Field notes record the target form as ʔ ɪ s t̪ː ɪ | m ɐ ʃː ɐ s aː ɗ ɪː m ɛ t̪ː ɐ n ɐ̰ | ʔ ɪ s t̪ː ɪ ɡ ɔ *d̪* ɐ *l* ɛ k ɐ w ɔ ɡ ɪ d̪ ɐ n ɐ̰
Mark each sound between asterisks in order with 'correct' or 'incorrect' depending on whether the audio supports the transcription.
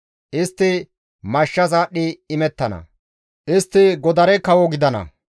correct, incorrect: ɾ

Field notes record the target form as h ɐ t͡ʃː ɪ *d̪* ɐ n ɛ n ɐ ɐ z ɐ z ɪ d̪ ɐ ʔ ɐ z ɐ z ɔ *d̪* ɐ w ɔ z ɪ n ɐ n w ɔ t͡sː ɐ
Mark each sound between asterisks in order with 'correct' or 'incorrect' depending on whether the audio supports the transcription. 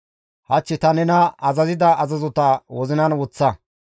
incorrect: t̪, incorrect: t̪

